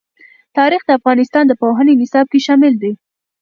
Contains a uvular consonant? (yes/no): no